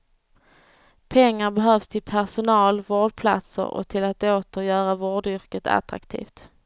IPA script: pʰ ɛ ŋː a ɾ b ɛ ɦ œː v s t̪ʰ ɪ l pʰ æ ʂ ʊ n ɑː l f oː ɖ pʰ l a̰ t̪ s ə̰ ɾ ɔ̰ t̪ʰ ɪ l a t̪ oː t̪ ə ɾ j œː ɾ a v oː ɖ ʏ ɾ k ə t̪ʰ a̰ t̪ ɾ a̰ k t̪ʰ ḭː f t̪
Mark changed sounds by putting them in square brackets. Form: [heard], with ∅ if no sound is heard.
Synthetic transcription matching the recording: pʰ ɛ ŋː a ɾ b ɛ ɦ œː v s t̪ʰ ɪ l pʰ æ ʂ ʊ n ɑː l [v] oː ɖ pʰ l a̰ t̪ s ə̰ ɾ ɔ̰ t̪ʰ ɪ l a t̪ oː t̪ ə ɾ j œː ɾ a v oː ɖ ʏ ɾ k ə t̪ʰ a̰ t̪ ɾ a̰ k t̪ʰ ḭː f t̪